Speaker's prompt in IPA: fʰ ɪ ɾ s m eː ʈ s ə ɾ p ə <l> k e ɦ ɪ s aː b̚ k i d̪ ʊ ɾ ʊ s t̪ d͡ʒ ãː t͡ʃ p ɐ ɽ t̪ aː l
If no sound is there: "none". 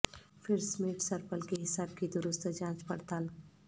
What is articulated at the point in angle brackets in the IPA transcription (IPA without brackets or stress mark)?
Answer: l